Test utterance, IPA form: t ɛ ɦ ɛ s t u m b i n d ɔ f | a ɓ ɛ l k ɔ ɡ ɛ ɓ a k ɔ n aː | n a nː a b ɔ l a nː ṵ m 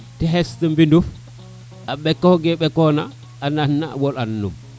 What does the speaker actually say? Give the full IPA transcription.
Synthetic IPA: t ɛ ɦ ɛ s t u m b i n d u f | a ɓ ɛ k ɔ ɡ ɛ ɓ ɛ k ɔ n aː | n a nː a w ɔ l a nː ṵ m